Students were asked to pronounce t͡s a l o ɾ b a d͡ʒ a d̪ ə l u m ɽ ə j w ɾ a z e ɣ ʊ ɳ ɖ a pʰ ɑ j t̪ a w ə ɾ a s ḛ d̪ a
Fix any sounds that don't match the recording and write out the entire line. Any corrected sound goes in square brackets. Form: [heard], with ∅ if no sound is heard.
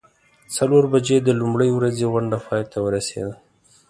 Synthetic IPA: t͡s a l o ɾ b a d͡ʒ [e] d̪ ə l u m ɽ ə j w ɾ a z e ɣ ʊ ɳ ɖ a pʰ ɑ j t̪ a w ə ɾ a s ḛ d̪ a